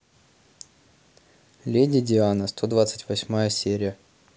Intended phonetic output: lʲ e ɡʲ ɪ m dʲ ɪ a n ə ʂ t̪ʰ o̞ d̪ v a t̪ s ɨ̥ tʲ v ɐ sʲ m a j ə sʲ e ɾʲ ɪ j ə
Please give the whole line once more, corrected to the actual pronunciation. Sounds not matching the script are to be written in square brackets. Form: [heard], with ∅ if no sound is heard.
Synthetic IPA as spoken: lʲ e [dʲ] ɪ [∅] dʲ ɪ a n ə [s] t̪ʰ o̞ d̪ v a t̪ s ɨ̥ tʲ v ɐ sʲ m a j ə sʲ e ɾʲ ɪ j ə